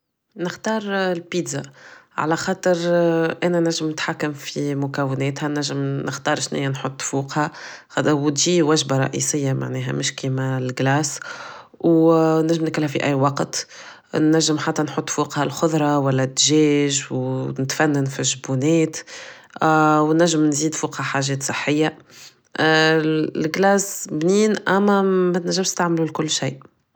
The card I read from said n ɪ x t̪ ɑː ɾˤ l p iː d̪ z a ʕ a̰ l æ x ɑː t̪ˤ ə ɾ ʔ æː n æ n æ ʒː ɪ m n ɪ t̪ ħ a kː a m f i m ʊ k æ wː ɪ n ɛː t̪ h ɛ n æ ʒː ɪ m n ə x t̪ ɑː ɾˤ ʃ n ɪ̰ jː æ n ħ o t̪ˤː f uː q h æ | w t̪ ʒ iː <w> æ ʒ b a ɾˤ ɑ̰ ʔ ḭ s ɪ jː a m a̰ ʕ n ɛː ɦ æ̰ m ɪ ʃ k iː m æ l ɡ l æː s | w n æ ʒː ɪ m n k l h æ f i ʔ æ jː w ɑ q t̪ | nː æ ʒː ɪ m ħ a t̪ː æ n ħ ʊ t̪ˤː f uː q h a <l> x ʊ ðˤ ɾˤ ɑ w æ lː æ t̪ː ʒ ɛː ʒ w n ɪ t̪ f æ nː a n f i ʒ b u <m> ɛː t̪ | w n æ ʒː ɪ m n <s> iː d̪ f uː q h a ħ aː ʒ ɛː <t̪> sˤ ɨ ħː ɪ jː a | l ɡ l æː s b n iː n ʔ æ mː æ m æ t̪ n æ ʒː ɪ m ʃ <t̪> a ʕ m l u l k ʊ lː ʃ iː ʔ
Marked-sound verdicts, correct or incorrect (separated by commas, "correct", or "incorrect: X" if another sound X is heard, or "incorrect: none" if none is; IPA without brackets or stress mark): correct, correct, incorrect: n, incorrect: z, correct, correct